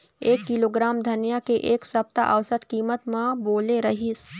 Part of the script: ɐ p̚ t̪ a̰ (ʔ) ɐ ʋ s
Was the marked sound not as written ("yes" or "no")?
no